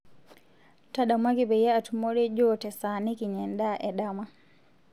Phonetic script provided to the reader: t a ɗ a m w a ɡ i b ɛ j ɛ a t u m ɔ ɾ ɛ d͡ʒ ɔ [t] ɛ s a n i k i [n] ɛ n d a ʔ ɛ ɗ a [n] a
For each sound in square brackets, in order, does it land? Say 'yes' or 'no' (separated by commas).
yes, no, no